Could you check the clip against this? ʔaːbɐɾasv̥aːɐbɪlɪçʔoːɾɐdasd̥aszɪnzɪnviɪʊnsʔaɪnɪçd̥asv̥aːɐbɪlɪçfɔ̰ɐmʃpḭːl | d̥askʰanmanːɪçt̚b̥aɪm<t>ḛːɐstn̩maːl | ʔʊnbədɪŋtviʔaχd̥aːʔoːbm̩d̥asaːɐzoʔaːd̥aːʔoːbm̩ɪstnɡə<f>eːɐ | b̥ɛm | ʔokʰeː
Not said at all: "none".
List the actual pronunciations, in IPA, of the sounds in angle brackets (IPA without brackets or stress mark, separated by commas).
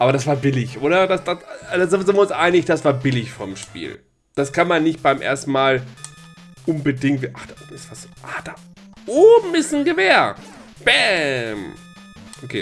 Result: ʔ, v